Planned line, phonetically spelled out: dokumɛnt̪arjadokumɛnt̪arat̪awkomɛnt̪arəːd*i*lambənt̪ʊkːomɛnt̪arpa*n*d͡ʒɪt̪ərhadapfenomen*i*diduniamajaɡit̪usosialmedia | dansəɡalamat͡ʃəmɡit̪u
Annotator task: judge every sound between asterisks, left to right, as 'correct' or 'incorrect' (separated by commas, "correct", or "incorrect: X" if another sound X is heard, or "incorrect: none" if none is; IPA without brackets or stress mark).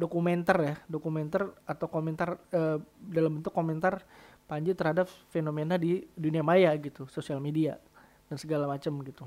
incorrect: a, incorrect: ɲ, incorrect: a